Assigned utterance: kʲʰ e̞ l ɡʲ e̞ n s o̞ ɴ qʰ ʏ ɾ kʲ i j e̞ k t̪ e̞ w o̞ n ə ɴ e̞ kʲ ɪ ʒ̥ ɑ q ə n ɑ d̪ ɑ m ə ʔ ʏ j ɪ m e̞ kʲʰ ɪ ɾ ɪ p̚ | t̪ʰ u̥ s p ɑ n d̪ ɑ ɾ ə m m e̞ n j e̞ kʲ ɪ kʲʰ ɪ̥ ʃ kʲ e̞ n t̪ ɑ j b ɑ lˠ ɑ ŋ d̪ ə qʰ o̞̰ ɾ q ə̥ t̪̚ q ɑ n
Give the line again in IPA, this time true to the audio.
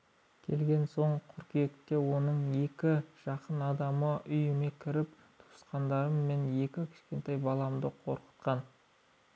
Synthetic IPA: kʲʰ e̞ l ɡʲ e̞ n s o̞ ɴ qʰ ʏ ɾ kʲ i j e̞ k t̪ e̞ w o̞ n ə ɴ e̞ kʲ ɪ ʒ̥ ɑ q ə n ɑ d̪ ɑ m ə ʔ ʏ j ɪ m e̞ kʲʰ ɪ ɾ ɪ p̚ | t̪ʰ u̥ s q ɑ n d̪ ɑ ɾ ə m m e̞ n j e̞ kʲ ɪ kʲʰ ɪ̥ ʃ kʲ e̞ n t̪ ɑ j b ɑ lˠ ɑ m d̪ ə qʰ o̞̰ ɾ q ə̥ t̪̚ q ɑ n